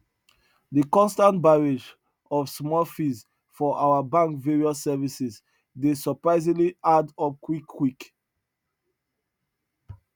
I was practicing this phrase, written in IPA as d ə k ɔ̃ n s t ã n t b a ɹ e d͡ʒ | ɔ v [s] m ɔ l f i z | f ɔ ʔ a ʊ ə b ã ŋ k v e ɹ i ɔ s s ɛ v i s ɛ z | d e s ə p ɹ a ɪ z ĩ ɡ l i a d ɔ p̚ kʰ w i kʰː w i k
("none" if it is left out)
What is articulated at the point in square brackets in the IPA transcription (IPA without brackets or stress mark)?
s